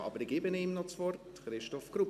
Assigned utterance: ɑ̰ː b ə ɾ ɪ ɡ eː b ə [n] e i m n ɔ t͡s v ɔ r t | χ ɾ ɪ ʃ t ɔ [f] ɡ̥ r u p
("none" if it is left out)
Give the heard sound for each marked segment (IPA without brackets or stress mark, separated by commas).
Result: n, f